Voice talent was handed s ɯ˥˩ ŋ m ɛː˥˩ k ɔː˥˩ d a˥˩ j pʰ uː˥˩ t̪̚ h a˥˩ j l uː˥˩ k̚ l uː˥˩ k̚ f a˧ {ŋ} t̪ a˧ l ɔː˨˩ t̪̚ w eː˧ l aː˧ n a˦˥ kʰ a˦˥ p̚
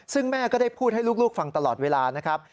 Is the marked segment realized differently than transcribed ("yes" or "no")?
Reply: no